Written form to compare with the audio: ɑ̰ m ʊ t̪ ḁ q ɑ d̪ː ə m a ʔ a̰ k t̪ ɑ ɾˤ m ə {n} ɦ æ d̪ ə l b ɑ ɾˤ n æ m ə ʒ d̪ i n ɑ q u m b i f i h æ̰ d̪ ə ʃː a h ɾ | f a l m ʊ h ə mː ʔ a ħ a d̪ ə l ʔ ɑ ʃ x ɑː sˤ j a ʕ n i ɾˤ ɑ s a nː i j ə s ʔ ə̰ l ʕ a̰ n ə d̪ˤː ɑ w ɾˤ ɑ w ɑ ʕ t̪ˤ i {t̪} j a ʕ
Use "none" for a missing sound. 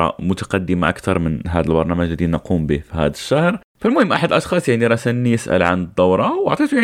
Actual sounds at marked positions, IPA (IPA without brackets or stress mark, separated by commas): n, t̪